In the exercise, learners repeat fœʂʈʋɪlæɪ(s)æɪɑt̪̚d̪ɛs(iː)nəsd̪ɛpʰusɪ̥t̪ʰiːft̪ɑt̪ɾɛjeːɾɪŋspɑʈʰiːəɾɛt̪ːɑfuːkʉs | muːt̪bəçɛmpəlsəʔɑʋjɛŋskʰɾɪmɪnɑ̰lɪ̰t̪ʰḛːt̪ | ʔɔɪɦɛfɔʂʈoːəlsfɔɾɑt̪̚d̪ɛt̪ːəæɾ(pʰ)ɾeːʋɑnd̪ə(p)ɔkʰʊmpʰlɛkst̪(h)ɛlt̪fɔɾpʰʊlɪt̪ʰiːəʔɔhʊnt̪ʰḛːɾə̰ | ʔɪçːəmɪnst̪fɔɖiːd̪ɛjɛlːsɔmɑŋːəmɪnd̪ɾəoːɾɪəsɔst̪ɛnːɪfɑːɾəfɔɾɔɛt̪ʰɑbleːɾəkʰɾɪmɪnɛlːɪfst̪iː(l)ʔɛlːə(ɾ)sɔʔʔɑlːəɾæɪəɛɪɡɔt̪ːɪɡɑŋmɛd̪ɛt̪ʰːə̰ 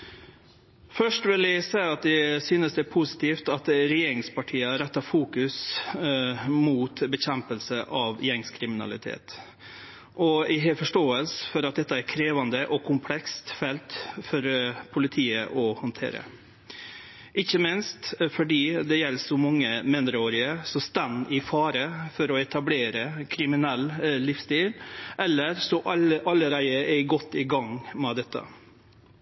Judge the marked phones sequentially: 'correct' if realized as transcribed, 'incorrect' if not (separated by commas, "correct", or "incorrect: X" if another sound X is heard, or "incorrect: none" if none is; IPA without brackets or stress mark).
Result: correct, incorrect: yː, incorrect: kʰ, incorrect: ʔ, incorrect: f, correct, correct